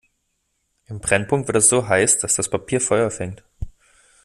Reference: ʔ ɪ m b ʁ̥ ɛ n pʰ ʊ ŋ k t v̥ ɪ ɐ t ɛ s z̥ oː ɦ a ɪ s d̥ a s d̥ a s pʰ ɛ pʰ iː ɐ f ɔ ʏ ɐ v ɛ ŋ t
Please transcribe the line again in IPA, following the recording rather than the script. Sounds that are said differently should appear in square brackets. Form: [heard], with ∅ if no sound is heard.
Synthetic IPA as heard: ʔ ɪ m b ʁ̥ ɛ n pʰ ʊ ŋ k t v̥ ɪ ɐ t ɛ s z̥ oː ɦ a ɪ s d̥ a s d̥ a s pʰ [a] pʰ iː ɐ f ɔ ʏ ɐ [f] ɛ ŋ t